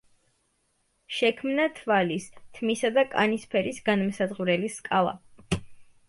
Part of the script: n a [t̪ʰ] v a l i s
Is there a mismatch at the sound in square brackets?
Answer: no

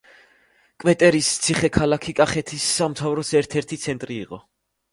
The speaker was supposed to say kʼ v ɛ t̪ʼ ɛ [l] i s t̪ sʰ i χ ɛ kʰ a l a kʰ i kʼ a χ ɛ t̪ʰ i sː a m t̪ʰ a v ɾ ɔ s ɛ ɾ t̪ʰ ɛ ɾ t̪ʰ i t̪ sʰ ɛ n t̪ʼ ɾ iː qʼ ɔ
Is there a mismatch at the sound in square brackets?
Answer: yes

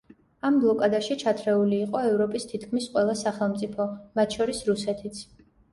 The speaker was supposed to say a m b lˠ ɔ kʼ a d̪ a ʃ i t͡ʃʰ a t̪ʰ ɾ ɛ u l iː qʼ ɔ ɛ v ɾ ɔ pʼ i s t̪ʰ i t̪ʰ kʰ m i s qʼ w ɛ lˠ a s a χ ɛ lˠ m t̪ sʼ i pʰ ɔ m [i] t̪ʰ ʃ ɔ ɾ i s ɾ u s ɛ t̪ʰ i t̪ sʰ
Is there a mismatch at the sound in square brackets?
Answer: yes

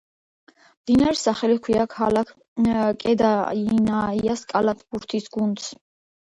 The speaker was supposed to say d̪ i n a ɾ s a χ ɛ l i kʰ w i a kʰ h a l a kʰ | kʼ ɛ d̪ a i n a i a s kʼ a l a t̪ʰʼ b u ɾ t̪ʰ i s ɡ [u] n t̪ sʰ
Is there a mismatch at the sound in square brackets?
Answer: no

